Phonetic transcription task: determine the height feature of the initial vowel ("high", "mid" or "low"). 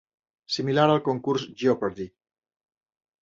high